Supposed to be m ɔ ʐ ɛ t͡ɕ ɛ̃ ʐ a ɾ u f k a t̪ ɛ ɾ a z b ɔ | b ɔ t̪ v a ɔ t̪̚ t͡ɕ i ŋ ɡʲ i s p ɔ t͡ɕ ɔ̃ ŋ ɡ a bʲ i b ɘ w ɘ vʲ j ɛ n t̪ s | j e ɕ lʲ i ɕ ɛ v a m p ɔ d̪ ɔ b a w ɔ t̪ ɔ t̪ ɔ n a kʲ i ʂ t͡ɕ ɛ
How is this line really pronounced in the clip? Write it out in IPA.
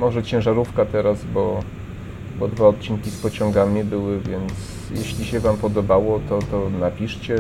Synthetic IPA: m ɔ ʐ ɛ t͡ɕ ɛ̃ ʐ a ɾ u f k a t̪ ɛ ɾ a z b ɔ | b ɔ d̪ v a ɔ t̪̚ t͡ɕ i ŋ kʲ i s p ɔ t͡ɕ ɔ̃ ŋ ɡ a mʲ i b ɘ w ɘ vʲ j ɛ n t̪ s | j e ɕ lʲ i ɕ ɛ v a m p ɔ d̪ ɔ b a w ɔ t̪ ɔ t̪ ɔ n a pʲ i ʂ t͡ɕ ɛ